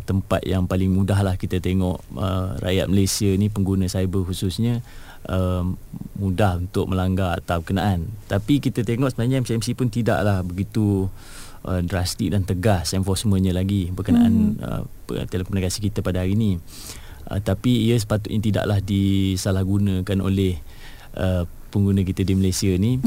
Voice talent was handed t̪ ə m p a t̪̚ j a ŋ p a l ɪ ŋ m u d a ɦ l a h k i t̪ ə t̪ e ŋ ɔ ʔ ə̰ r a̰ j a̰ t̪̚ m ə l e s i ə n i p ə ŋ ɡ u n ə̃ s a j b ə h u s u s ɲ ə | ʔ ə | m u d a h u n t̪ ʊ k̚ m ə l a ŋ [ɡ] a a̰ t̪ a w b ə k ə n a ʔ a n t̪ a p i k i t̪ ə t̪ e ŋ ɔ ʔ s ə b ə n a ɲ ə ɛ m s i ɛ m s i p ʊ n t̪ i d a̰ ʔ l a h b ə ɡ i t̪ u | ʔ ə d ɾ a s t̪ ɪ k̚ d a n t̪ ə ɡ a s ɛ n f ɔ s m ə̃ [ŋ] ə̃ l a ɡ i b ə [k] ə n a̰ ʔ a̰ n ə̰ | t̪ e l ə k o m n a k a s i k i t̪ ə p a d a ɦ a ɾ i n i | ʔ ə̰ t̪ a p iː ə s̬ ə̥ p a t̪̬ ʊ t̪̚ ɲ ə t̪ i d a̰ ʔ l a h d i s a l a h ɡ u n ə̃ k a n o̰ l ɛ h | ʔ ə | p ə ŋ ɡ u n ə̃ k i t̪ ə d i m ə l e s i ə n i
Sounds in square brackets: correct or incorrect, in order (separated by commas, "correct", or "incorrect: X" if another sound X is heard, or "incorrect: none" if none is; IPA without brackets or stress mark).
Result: correct, incorrect: ɲ, correct